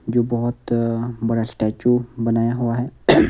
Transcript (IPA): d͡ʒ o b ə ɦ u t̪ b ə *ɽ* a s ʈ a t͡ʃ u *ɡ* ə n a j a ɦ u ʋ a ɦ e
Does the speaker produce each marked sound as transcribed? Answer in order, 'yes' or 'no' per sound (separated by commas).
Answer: yes, no